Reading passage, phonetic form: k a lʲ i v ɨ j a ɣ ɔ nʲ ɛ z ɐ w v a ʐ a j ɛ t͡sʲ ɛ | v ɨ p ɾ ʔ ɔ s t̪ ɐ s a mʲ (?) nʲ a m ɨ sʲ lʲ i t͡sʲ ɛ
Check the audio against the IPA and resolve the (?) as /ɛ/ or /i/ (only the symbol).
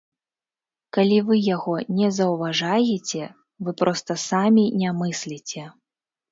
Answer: i